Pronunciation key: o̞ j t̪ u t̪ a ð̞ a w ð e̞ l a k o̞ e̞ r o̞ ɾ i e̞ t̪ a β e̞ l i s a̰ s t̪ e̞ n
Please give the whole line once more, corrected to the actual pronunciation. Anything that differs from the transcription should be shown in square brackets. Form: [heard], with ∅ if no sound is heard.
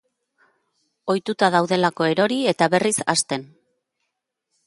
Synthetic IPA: o̞ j t̪ u t̪ a ð̞ a w ð e̞ l a k o̞ e̞ [ɾ] o̞ ɾ i e̞ t̪ a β e̞ [r] i s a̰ s t̪ e̞ n

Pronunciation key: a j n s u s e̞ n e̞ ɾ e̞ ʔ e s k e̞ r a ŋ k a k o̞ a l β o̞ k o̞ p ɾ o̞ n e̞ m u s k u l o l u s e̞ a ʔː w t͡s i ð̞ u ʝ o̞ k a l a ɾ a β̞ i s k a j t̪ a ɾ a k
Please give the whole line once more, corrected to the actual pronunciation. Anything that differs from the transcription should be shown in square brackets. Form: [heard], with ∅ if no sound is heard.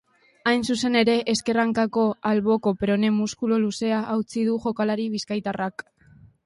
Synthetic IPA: a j n s u s e̞ n e̞ ɾ e̞ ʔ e s k e̞ r a ŋ k a k o̞ a l β o̞ k o̞ p ɾ o̞ n e̞ m u s k u l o l u s e̞ a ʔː w t͡s i ð̞ u ʝ o̞ k a l a ɾ [i] β̞ i s k a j t̪ a [r] a k

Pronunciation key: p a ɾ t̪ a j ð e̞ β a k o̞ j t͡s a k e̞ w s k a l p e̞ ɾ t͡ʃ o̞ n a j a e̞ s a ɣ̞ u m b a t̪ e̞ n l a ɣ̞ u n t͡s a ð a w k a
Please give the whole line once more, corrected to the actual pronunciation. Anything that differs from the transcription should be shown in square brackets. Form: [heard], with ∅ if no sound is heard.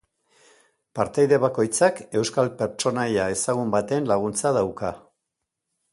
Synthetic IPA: p a ɾ t̪ a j ð e̞ β a k o̞ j t͡s a k e̞ w s k a l p e̞ ɾ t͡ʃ o̞ n a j a e̞ s a ɣ̞ u m b a t̪ e̞ n l a ɣ̞ u n t͡s a ð a w k a

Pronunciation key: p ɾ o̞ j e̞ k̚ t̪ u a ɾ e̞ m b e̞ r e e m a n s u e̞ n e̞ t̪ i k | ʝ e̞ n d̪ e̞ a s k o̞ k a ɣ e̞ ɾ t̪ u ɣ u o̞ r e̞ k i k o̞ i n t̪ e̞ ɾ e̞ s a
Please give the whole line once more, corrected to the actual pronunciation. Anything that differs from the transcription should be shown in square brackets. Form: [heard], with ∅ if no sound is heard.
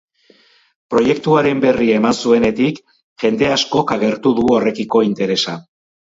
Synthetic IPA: p ɾ o̞ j e̞ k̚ t̪ u a ɾ e̞ m b e̞ r [i] e m a n s u e̞ n e̞ t̪ i k | ʝ e̞ n d̪ e̞ a s k o̞ k a ɣ e̞ ɾ t̪ u [ð] u o̞ r e̞ k i k o̞ i n t̪ e̞ ɾ e̞ s a

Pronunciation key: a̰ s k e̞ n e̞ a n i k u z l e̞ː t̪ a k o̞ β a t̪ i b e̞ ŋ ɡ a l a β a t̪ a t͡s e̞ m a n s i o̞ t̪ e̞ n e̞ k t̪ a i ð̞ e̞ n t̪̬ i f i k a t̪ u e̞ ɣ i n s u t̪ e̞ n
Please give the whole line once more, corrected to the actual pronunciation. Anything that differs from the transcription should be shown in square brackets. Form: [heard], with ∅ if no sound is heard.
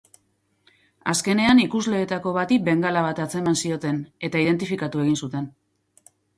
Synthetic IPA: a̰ s k e̞ n e̞ a n i k u z l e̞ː t̪ a k o̞ β a t̪ i b e̞ ŋ ɡ a l a β a t̪ a t͡s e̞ m a n s i o̞ t̪ e̞ n e̞ [∅] t̪ a i ð̞ e̞ n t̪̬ i f i k a t̪ u e̞ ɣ i n s u t̪ e̞ n

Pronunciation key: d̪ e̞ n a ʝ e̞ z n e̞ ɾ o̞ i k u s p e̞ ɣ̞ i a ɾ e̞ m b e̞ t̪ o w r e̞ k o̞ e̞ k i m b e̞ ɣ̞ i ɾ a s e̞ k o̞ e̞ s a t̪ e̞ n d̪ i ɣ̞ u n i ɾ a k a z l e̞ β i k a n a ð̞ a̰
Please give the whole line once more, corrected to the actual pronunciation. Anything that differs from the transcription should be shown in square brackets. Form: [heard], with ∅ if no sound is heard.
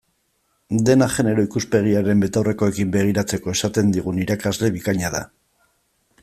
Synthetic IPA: d̪ e̞ n a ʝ e̞ [∅] n e̞ ɾ o̞ i k u s p e̞ ɣ̞ i a ɾ e̞ m b e̞ t̪ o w r e̞ k o̞ e̞ k i m b e̞ ɣ̞ i ɾ a [t͡s] e̞ k o̞ e̞ s a t̪ e̞ n d̪ i ɣ̞ u n i ɾ a k a z l e̞ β i k a [ɲ] a ð̞ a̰

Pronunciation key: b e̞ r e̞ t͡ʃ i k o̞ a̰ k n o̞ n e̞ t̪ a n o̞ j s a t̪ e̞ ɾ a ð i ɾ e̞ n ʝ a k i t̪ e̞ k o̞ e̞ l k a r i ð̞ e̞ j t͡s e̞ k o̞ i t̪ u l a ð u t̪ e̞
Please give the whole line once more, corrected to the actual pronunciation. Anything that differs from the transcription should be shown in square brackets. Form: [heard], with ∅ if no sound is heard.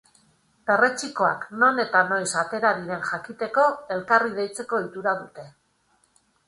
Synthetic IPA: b e̞ r e̞ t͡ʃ i k o̞ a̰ k n o̞ n e̞ t̪ a n o̞ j s a t̪ e̞ ɾ a ð i ɾ e̞ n ʝ a k i t̪ e̞ k o̞ e̞ l k a r i ð̞ e̞ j t͡s e̞ k o̞ i t̪ u [ɾ] a ð u t̪ e̞

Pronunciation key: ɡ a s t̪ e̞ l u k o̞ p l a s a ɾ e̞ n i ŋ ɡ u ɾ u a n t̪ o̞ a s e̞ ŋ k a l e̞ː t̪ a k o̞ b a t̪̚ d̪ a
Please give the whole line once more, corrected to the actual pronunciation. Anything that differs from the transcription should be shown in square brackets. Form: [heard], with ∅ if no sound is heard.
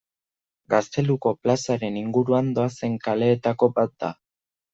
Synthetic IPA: ɡ a s t̪ e̞ l u k o̞ p l a s a ɾ e̞ n i ŋ ɡ u ɾ u a n [d̪] o̞ a s e̞ ŋ k a l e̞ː t̪ a k o̞ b a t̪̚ d̪ a

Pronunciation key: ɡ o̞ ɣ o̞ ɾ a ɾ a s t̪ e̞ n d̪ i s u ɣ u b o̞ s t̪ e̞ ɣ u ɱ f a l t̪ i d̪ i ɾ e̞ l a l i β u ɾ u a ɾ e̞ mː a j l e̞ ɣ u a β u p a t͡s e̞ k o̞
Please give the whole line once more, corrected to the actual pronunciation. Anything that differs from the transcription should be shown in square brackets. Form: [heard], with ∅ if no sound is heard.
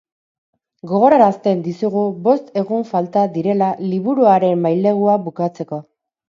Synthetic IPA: ɡ o̞ ɣ o̞ ɾ a ɾ a s t̪ e̞ n d̪ i s u ɣ u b o̞ s t̪ e̞ ɣ u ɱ f a l t̪ [a] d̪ i ɾ e̞ l a l i β u ɾ u a ɾ e̞ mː a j l e̞ ɣ u a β u [k] a t͡s e̞ k o̞

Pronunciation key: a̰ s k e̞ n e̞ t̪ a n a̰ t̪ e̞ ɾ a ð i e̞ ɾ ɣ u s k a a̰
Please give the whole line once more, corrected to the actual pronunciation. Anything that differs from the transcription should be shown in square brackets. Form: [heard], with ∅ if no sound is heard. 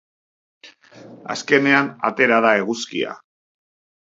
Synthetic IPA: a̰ s k e̞ n e̞ [∅] a n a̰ t̪ e̞ ɾ a ð [a] e̞ [∅] ɣ u s k [i] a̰

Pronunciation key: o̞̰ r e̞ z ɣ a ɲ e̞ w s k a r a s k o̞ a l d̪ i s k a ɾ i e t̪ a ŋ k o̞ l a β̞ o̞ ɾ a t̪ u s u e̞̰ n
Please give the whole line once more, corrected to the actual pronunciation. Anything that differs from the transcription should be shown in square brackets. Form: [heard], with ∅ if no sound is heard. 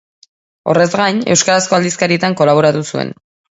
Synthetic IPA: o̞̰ r e̞ z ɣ a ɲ e̞ w s k a [ɾ] a s k o̞ a l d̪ i s k a ɾ i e t̪ a ŋ k o̞ l a β̞ o̞ ɾ a t̪ u s u e̞̰ n

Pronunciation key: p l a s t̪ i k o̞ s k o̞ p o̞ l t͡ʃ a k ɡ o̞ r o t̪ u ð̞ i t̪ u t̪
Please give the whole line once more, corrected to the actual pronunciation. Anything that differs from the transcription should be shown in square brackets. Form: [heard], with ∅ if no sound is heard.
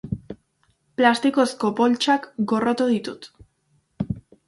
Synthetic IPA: p l a s t̪ i k o̞ s k o̞ p o̞ l t͡ʃ a k ɡ o̞ r o t̪ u ð̞ i t̪ u t̪

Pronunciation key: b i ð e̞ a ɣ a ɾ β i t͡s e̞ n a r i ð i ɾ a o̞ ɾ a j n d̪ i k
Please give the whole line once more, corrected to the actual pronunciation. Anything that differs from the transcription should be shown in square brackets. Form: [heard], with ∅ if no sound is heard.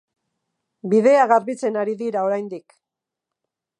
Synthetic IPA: b i ð e̞ a ɣ a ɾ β i t͡s e̞ n a [ɾ] i ð i ɾ a o̞ ɾ a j n d̪ i k

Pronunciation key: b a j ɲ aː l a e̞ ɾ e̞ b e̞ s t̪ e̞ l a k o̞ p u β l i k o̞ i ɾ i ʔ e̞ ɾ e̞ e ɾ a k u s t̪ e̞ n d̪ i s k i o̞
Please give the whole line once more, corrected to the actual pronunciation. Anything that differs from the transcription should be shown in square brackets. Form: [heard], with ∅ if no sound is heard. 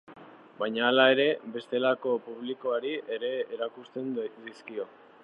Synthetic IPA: b a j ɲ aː l a e̞ ɾ e̞ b e̞ s t̪ e̞ l a k o̞ p u β l i k o̞ [a] ɾ i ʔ e̞ ɾ e̞ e ɾ a k u s t̪ e̞ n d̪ i s k i o̞

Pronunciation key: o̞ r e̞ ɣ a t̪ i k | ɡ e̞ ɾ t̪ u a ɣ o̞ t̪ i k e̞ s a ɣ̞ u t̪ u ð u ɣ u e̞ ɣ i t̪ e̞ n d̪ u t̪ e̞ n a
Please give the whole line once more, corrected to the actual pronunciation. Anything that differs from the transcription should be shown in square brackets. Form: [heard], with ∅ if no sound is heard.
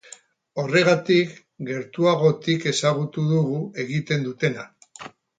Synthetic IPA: o̞ r e̞ ɣ a t̪ i k | ɡ e̞ ɾ t̪ u a ɣ o̞ t̪ i k e̞ s a ɣ̞ u t̪ u ð u ɣ u e̞ ɣ i t̪ e̞ n d̪ u t̪ e̞ n a

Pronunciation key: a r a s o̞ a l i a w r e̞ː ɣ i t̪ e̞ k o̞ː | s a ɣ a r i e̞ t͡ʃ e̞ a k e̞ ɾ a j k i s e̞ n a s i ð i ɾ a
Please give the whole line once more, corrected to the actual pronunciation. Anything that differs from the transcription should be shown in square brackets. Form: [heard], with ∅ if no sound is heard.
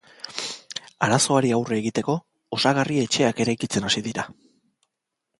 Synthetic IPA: a [ɾ] a s o̞ a [ɾ] i a w r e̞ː ɣ i t̪ e̞ k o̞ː | s a ɣ a r i e̞ t͡ʃ e̞ a k e̞ ɾ a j k i [t͡s] e̞ n a s i ð i ɾ a

